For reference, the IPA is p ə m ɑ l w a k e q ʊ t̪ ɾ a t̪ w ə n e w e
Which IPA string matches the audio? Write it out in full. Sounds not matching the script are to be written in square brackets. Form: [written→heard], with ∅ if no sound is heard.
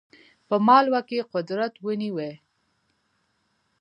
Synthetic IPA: p ə m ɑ l w a k e q ʊ [t̪→d̪] ɾ a t̪ w ə n [e→i] w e